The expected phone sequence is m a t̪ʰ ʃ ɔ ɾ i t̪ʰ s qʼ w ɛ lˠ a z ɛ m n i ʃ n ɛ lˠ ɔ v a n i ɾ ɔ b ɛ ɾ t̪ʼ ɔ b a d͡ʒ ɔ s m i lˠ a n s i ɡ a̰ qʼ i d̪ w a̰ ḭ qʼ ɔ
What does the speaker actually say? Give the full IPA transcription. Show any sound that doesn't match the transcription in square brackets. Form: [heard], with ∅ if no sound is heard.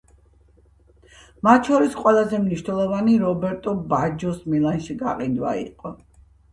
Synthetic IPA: m a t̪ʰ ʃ ɔ ɾ i [∅] s qʼ w ɛ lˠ a z ɛ m n i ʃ n ɛ lˠ ɔ v a n i ɾ ɔ b ɛ ɾ t̪ʼ ɔ b a d͡ʒ ɔ s m i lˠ a n [ʃ] i ɡ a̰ qʼ i d̪ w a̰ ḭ qʼ ɔ